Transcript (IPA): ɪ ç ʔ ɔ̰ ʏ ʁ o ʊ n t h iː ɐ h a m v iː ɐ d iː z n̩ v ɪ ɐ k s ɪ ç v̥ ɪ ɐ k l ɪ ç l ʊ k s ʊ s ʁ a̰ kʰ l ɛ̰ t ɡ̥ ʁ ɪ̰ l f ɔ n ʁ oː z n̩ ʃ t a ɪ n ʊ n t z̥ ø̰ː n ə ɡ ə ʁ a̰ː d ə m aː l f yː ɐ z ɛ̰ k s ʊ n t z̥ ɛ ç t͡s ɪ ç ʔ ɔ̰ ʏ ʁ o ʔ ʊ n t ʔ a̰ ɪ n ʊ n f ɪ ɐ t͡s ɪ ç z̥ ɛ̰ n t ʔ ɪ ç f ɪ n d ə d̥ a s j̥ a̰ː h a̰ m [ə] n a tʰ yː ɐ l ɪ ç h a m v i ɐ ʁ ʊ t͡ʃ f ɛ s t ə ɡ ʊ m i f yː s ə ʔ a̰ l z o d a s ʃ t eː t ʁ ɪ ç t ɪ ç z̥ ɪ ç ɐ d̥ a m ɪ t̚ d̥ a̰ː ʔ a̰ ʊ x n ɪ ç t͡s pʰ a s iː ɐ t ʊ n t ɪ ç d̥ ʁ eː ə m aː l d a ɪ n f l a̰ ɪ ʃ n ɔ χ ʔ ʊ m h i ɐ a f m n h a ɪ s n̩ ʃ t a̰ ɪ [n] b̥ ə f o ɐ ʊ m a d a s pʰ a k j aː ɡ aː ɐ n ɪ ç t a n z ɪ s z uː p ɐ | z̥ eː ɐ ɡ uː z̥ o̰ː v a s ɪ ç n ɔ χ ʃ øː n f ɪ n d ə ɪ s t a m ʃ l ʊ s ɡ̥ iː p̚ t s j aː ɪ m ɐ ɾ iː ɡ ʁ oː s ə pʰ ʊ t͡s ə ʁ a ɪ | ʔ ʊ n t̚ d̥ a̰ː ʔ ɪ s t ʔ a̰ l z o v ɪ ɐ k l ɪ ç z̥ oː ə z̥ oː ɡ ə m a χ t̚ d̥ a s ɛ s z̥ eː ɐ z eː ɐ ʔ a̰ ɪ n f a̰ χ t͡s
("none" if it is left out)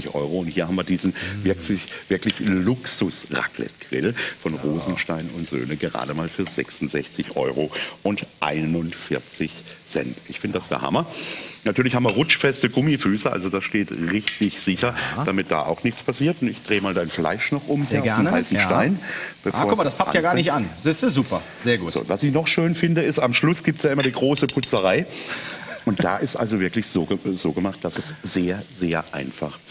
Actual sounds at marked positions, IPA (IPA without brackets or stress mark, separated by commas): ɐ, n